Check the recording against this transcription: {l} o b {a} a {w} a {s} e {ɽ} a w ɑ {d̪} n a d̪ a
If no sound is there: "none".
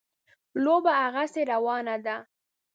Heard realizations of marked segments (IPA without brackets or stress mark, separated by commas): l, a, ɣ, s, ɾ, none